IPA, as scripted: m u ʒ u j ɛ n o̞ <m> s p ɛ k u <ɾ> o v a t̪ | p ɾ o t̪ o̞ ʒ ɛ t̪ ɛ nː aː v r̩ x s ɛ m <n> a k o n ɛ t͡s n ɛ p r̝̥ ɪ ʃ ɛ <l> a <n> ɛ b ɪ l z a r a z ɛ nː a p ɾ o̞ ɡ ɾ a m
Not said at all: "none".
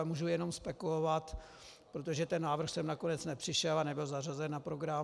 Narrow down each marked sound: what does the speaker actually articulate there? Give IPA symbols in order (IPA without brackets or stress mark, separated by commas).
m, l, n, l, n